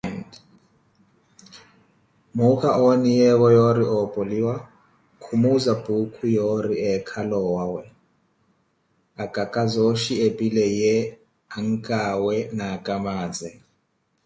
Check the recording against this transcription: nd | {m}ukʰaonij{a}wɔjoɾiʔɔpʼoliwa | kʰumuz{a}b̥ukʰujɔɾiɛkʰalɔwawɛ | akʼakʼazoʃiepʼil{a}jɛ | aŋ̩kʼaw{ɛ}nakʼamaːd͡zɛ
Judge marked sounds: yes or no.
yes, no, yes, no, yes

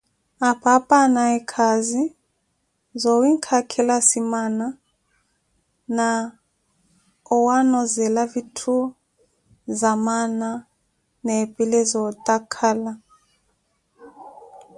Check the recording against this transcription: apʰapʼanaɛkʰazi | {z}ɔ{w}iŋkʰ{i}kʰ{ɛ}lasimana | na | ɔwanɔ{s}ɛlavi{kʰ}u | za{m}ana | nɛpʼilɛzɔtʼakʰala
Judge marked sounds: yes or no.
yes, yes, no, yes, no, no, yes

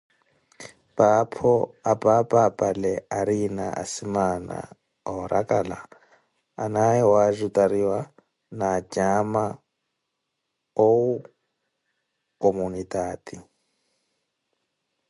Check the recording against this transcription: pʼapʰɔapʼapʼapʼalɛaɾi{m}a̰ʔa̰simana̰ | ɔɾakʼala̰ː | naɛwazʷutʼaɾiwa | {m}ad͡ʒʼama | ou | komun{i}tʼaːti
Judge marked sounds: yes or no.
no, no, yes

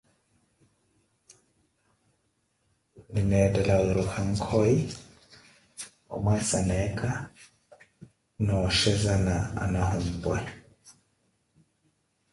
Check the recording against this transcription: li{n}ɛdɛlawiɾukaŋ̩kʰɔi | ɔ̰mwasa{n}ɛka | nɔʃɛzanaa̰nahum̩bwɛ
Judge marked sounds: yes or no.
yes, yes

